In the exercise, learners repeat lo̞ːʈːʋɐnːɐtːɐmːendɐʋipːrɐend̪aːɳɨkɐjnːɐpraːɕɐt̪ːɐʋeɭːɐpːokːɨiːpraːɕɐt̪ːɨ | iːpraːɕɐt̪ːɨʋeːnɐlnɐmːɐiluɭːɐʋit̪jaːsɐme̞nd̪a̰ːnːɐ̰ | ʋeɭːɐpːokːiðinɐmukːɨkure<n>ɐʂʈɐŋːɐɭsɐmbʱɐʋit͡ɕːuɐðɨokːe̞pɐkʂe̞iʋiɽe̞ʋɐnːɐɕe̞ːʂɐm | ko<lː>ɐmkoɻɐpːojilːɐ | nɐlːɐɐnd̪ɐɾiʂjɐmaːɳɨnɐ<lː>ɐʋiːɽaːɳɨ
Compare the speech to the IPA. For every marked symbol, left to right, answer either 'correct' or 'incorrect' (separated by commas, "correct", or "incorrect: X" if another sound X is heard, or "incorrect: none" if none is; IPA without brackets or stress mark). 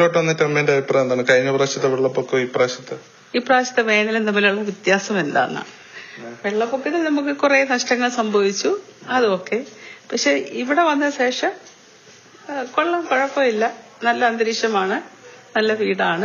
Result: correct, incorrect: ɭː, correct